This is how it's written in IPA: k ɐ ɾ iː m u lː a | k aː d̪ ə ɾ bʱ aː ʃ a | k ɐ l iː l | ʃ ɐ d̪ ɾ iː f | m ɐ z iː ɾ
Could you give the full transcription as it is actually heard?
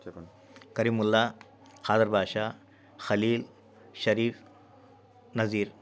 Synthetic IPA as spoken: k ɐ ɾ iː m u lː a | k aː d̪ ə ɾ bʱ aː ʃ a | x ɐ l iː l | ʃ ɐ ɾ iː f | n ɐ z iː ɾ